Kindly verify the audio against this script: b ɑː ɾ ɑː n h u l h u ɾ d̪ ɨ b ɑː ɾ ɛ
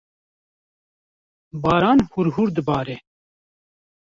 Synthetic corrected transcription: b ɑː ɾ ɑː n h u ɾ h u ɾ d̪ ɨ b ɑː ɾ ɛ